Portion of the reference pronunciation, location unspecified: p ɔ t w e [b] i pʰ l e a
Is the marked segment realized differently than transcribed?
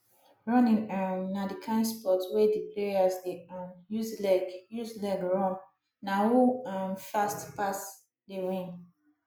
yes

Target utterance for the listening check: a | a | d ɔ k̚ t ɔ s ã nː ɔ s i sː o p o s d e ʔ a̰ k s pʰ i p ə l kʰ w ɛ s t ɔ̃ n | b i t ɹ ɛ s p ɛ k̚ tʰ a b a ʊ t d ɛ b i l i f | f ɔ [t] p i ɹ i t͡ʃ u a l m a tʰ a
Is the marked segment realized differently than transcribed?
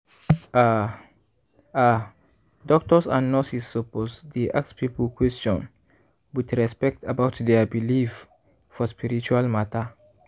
yes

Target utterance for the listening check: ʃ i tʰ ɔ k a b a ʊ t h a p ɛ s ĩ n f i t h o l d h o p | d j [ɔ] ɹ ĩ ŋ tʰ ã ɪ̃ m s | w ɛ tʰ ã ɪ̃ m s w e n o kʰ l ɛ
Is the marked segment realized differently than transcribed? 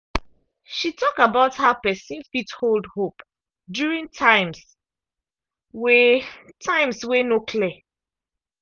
yes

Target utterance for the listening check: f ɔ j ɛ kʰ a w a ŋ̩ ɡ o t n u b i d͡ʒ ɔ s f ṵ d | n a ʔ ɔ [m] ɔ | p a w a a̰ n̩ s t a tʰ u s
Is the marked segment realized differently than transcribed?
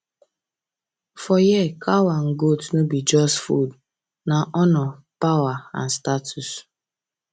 yes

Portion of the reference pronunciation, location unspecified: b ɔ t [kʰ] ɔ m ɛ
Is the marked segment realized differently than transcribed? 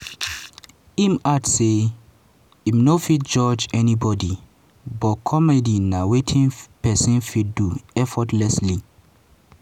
no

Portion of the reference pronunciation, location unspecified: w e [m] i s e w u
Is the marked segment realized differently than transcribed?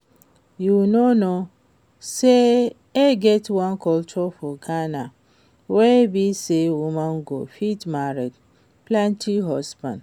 yes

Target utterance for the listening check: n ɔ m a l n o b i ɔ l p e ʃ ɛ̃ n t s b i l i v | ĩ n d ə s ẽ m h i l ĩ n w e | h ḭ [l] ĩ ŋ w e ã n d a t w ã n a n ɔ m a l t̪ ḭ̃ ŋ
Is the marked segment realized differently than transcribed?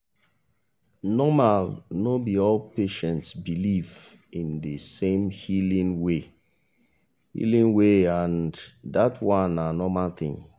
no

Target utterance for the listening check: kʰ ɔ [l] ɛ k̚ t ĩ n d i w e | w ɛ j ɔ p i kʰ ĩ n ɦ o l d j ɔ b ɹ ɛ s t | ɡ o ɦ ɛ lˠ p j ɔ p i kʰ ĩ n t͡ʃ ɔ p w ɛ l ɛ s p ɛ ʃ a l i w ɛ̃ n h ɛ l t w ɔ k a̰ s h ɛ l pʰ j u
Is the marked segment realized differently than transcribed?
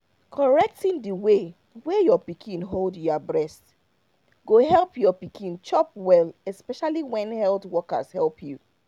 yes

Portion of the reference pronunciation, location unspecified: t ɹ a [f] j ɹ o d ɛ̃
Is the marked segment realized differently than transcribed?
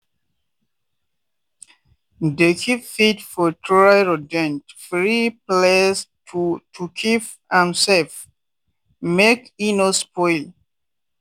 yes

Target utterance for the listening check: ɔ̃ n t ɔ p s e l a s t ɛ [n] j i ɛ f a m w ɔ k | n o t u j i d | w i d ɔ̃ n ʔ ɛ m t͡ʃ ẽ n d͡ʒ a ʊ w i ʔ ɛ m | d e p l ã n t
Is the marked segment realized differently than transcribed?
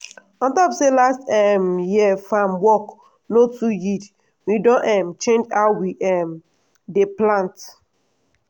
yes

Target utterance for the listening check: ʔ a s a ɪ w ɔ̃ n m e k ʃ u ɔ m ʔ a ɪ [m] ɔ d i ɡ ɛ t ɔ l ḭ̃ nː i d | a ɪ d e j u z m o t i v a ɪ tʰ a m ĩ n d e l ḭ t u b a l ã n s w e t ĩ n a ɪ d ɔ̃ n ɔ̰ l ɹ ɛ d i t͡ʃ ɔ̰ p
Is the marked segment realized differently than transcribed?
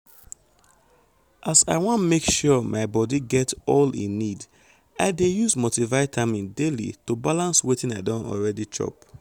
yes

